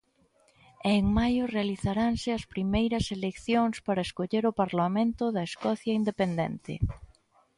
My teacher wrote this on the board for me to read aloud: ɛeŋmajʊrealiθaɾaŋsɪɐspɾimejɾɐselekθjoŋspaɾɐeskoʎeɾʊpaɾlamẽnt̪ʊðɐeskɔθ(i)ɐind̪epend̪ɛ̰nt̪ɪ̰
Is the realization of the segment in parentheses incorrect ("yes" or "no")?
yes